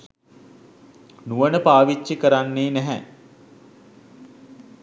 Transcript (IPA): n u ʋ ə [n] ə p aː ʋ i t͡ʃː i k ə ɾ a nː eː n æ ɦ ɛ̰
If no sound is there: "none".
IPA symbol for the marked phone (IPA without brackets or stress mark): n